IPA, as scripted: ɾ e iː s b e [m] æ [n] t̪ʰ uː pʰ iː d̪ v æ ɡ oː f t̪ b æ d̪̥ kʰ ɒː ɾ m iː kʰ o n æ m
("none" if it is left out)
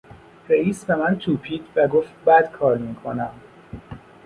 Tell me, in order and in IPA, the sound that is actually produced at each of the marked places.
m, n

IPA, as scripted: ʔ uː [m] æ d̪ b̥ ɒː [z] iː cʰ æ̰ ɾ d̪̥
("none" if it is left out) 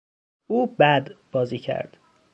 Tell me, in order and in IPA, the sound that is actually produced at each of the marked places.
b, z

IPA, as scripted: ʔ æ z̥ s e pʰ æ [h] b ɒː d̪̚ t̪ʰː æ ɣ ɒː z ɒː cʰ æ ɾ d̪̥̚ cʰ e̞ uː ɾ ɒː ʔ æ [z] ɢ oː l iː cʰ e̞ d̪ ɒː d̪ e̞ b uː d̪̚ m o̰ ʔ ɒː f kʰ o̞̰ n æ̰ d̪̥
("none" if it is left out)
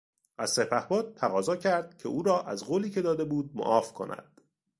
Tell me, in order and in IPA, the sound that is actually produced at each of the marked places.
h, z

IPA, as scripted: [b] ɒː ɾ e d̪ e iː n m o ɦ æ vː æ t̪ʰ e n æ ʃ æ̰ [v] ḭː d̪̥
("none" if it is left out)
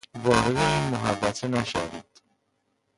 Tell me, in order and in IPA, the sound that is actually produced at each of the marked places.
v, v

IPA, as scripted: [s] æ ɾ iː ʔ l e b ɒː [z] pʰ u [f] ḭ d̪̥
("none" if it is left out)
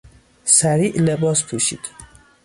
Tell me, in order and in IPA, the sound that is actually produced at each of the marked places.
s, s, ʃ

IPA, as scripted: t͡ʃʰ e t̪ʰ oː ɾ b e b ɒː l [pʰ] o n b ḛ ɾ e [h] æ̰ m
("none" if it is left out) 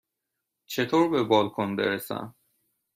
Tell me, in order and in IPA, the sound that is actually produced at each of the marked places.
kʰ, s

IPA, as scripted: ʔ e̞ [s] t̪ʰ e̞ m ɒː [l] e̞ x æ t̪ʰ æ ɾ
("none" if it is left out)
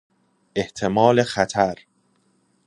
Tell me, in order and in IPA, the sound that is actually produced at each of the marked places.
h, l

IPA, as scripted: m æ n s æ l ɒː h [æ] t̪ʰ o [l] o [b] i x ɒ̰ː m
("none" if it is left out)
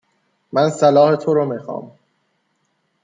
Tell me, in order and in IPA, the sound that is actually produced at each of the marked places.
e, ɾ, m

